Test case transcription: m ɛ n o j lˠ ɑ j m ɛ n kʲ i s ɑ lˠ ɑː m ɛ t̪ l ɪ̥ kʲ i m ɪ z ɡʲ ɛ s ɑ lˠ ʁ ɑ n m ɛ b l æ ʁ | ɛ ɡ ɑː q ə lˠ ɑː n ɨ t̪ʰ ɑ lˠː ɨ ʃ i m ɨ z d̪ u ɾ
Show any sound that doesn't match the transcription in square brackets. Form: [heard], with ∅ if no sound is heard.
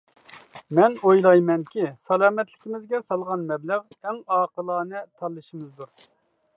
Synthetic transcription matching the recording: m ɛ n o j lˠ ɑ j m ɛ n kʲ i s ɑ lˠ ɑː m ɛ t̪ l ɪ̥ kʲ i m ɪ z ɡʲ ɛ s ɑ lˠ ʁ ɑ n m ɛ b l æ ʁ | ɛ [ŋ] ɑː q ə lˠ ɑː n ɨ t̪ʰ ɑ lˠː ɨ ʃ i m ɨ z d̪ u ɾ